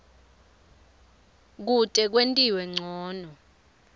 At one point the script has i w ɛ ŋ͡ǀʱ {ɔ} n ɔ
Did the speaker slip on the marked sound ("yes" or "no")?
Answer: yes